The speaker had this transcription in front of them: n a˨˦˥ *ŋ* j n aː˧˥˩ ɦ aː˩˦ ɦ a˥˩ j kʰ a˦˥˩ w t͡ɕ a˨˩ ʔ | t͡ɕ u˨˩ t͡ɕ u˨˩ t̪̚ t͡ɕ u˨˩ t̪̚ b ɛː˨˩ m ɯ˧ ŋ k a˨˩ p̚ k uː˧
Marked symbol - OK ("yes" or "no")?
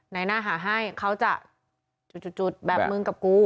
no